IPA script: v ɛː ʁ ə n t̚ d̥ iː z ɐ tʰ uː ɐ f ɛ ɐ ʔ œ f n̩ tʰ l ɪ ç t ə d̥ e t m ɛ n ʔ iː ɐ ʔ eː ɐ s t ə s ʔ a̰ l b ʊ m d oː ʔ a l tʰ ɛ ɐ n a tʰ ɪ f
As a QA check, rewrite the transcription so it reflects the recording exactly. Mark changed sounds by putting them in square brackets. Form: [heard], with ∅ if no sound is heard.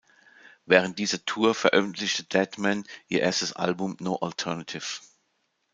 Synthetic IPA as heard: v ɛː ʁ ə n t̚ d̥ iː z ɐ tʰ uː ɐ f ɛ ɐ ʔ œ f n̩ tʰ l ɪ ç t ə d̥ [ɛ] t m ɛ n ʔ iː ɐ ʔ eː ɐ s t ə s ʔ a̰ l b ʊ m [n] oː ʔ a l tʰ ɛ ɐ n a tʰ ɪ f